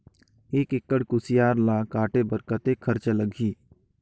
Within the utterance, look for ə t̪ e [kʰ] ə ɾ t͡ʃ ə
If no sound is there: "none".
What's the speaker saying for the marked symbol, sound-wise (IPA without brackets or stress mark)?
kʰ